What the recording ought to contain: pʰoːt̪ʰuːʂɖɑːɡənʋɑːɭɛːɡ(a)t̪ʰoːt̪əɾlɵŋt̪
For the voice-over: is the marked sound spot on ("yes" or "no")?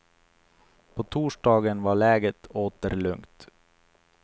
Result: no